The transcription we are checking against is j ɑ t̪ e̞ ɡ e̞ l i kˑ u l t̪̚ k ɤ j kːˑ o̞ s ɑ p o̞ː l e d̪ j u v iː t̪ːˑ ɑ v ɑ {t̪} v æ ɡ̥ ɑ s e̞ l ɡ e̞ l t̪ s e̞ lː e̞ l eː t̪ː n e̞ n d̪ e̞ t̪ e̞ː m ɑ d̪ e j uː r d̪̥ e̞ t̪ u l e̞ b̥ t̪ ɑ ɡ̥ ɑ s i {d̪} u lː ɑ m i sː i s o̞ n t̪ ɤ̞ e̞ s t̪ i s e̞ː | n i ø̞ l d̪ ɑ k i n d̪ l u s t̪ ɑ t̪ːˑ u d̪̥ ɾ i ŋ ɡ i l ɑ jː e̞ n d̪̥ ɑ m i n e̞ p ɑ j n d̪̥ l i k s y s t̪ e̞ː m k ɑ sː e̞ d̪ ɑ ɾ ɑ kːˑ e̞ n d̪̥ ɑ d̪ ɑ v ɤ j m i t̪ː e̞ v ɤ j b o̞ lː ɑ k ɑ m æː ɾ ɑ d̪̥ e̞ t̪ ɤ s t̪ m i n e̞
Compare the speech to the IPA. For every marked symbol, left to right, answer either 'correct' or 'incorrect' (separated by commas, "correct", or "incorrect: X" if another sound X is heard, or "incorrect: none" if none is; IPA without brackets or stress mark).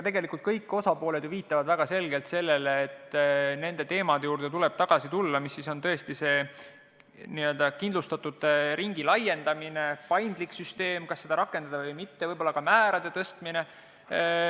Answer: incorrect: d̪, incorrect: t̪